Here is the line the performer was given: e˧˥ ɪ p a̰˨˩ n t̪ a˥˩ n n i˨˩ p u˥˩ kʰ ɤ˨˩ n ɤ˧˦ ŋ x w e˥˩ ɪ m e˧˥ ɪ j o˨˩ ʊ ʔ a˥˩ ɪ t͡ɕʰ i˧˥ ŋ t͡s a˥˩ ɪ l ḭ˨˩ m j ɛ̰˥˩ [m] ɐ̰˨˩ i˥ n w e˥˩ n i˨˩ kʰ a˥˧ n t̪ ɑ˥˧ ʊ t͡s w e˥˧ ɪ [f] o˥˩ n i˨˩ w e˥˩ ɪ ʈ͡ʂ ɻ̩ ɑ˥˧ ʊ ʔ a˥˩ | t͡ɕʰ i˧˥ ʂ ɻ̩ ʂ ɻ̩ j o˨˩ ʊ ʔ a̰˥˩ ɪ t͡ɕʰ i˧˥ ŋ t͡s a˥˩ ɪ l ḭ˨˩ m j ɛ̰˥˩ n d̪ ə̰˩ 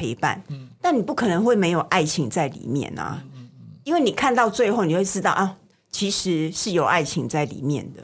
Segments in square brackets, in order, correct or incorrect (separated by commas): incorrect, incorrect